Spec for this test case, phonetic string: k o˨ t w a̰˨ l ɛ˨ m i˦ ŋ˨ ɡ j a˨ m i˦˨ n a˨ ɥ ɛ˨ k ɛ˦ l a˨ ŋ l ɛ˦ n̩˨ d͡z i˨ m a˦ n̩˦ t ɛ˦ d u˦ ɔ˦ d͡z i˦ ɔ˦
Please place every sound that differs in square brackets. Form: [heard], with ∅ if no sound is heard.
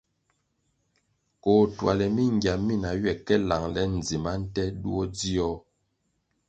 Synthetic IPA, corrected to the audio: k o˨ t w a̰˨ l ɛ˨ m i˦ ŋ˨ ɡ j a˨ m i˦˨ n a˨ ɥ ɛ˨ k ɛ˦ l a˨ ŋ l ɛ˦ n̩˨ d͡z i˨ m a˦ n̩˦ t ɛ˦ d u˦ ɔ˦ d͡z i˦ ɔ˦